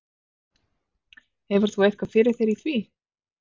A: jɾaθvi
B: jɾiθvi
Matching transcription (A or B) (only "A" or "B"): B